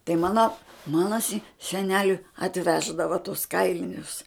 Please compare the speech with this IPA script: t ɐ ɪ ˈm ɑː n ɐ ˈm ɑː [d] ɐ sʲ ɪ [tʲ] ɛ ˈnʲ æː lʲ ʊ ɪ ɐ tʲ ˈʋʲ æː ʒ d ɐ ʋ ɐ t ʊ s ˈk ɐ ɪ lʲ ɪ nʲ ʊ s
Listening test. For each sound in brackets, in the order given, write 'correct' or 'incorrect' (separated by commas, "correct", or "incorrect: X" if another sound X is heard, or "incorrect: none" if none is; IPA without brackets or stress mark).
incorrect: n, incorrect: sʲ